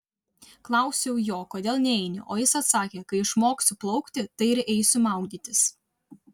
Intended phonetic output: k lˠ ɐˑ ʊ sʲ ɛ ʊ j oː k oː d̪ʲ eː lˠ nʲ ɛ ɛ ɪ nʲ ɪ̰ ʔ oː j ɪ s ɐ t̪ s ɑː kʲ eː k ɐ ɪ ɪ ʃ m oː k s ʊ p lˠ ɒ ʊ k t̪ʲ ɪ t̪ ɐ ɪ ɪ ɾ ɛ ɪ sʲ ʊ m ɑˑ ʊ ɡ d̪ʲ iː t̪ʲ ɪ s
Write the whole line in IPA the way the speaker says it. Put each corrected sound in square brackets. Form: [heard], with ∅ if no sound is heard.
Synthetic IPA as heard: k lˠ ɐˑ ʊ sʲ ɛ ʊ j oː k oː d̪ʲ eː lˠ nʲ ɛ ɛ ɪ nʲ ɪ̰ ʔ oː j ɪ s ɐ t̪ s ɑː kʲ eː k ɐ ɪ ɪ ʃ m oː k s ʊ p lˠ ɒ ʊ k t̪ʲ ɪ t̪ ɐ ɪ ɪ ɾ ɛ ɪ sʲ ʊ m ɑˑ ʊ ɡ d̪ʲ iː t̪ʲ ɪ s

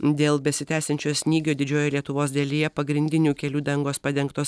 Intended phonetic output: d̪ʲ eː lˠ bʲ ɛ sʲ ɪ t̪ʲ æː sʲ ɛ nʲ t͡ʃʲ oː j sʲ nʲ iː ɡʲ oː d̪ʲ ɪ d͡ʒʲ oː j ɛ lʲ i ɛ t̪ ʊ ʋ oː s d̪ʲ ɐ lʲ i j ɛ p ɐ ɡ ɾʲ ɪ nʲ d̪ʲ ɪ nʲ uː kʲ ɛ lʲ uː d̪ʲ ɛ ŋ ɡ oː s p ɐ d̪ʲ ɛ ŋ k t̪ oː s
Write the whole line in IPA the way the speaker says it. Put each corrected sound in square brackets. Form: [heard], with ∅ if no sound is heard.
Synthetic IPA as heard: d̪ʲ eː lˠ bʲ ɛ sʲ ɪ t̪ʲ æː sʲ ɛ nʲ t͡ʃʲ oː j sʲ nʲ iː ɡʲ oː d̪ʲ ɪ d͡ʒʲ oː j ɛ lʲ i ɛ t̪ ʊ ʋ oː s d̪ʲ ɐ lʲ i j ɛ p ɐ ɡ ɾʲ ɪ nʲ d̪ʲ ɪ nʲ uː kʲ ɛ lʲ uː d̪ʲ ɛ ŋ ɡ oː s p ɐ d̪ʲ ɛ ŋ k t̪ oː s

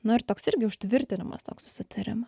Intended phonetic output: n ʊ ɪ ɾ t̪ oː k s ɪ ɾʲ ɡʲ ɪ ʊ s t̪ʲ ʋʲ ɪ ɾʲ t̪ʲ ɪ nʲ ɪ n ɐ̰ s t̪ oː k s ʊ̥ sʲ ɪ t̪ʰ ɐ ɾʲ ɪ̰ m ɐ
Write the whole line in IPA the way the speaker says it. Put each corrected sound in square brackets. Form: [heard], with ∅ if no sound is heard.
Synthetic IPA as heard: n ʊ ɪ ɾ t̪ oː k s ɪ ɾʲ ɡʲ ɪ ʊ [ʃ] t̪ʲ ʋʲ ɪ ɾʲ t̪ʲ ɪ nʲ ɪ [m] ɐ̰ s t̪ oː k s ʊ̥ sʲ ɪ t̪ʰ ɐ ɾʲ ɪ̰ m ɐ

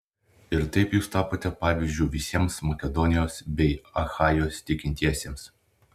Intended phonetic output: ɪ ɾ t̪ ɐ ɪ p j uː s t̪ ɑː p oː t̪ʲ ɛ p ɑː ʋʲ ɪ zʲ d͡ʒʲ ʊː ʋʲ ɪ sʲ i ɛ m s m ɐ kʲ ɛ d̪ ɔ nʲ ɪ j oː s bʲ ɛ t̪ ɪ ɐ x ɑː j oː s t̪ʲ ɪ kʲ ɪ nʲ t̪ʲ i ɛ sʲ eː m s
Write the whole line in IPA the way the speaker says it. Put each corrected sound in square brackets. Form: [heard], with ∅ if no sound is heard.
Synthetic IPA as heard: ɪ ɾ t̪ ɐ ɪ p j uː s t̪ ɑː p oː t̪ʲ ɛ p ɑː ʋʲ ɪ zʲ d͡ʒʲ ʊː ʋʲ ɪ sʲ i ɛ m s m ɐ kʲ ɛ d̪ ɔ nʲ ɪ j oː s bʲ ɛ [∅] ɪ ɐ x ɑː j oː s t̪ʲ ɪ kʲ ɪ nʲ t̪ʲ i ɛ sʲ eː m s

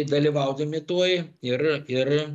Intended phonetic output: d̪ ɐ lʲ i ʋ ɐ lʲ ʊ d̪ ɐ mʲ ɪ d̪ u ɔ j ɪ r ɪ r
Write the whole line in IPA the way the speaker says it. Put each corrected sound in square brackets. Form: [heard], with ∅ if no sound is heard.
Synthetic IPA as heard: d̪ ɐ lʲ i ʋ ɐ [∅] ʊ d̪ ɐ mʲ ɪ [t̪] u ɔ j ɪ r ɪ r

